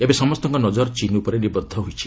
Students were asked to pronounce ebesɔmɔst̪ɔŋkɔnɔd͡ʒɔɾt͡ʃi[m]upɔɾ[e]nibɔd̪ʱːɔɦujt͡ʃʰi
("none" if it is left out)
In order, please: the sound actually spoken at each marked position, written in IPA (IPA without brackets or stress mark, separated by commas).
n, e